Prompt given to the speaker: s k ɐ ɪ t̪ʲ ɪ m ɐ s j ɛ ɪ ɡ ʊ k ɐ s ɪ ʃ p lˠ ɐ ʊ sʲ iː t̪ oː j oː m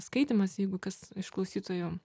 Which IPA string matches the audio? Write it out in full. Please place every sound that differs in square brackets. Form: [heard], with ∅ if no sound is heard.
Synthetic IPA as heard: s k ɐ ɪ t̪ʲ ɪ m ɐ s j ɛ ɪ ɡ ʊ k ɐ s ɪ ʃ [k] lˠ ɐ ʊ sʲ iː t̪ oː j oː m